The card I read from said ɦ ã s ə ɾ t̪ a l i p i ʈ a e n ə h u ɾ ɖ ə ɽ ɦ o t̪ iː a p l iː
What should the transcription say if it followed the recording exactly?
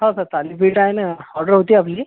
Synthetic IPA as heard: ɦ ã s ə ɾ t̪ a l i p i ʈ a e n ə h ɔ ɾ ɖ ə ɾ ɦ o t̪ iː a p l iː

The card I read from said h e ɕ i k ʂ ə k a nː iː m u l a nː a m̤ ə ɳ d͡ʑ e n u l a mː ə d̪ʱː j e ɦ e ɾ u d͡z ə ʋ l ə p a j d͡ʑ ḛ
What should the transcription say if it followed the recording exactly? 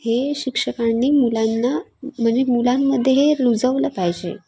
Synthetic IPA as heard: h e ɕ i k ʂ ə k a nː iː m u l a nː a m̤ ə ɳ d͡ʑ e m u l a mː ə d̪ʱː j e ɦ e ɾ u d͡z ə ʋ l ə p a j d͡ʑ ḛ

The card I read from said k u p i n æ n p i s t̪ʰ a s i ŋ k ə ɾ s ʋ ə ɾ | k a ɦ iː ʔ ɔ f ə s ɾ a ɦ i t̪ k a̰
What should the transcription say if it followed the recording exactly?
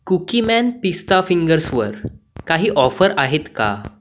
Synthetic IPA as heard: k u k i m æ n p i s t̪ a f i ŋ ɡ ə ɾ s ʋ ə ɾ | k a ɦ iː ʔ ɔ f ə ɾ a ɦ e t̪ k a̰

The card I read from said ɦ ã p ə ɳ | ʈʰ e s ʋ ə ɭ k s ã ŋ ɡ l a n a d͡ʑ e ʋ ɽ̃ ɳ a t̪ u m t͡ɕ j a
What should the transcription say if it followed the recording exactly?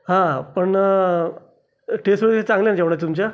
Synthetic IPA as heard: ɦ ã p ə ɳ | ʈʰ e s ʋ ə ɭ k t͡s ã ŋ ɡ l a n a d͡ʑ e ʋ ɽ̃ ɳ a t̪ u m t͡ɕ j a

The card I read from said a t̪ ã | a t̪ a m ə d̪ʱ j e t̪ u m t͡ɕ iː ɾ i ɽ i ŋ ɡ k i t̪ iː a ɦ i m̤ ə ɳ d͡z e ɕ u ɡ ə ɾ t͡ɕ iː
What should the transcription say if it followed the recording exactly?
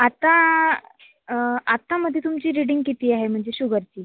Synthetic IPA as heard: a t̪ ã | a t̪ a m ə d̪ʱ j e t̪ u m t͡ɕ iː ɾ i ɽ i ŋ ɡ k i t̪ iː a ɦ e m̤ ə ɳ d͡z e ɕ u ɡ ə ɾ t͡ɕ iː

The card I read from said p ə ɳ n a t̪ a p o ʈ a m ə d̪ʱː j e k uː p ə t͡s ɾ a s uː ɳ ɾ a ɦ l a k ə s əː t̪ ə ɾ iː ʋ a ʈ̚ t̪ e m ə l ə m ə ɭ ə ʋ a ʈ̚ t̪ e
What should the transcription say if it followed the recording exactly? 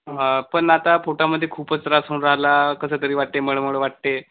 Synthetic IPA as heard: p ə ɳ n a t̪ a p o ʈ a m ə d̪ʱː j e kʰ uː p ə t͡s ɾ a s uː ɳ ɾ a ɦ l a k ə s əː t̪ ə ɾ iː ʋ a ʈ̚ t̪ e m ə ɭ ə m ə ɭ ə ʋ a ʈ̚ t̪ e

